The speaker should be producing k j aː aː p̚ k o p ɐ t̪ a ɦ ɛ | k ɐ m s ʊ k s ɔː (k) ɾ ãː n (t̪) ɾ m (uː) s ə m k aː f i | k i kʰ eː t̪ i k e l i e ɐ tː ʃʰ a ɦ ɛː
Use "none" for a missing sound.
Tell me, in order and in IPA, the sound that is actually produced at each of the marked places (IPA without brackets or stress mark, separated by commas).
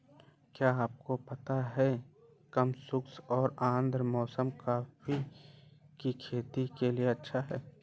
none, d̪, ɔː